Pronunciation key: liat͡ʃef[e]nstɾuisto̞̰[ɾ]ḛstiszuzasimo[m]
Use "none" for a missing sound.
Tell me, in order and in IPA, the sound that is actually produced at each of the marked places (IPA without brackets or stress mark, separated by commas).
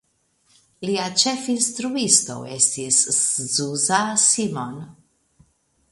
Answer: i, none, n